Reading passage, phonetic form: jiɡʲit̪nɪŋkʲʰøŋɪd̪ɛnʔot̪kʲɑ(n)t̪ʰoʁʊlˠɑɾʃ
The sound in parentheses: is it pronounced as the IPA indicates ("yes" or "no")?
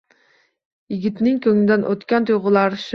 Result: yes